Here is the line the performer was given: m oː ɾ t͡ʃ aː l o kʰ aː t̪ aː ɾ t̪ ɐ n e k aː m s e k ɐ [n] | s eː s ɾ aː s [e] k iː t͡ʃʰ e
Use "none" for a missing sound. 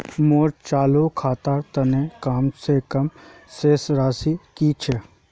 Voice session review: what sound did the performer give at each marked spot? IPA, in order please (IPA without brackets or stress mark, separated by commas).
m, i